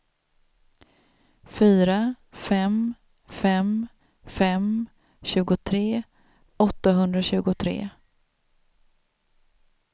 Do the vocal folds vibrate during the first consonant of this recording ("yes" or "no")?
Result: no